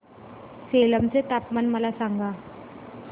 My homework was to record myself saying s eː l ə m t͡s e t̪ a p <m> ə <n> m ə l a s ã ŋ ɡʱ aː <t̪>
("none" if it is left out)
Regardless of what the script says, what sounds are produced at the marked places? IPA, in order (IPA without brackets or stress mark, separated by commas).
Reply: m, n, none